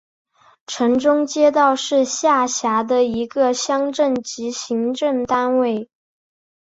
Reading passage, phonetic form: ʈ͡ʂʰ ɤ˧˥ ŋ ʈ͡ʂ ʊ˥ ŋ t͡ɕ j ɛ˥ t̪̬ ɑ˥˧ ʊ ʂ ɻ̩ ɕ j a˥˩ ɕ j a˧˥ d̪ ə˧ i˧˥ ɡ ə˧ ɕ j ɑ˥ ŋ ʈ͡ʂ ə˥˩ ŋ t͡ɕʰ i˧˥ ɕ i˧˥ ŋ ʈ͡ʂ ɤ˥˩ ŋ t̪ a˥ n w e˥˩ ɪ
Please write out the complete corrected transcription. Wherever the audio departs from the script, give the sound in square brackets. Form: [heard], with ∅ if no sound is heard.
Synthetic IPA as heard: ʈ͡ʂʰ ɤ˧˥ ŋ ʈ͡ʂ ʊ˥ ŋ t͡ɕ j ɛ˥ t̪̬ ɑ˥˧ ʊ ʂ ɻ̩ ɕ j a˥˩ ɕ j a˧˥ d̪ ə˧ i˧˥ ɡ ə˧ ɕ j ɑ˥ ŋ ʈ͡ʂ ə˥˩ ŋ [t͡ɕ] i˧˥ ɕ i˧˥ ŋ ʈ͡ʂ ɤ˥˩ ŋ t̪ a˥ n w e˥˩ ɪ